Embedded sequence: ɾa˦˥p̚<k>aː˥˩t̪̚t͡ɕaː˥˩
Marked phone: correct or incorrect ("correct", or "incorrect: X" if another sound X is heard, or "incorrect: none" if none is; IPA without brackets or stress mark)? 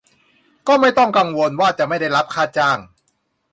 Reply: incorrect: kʰ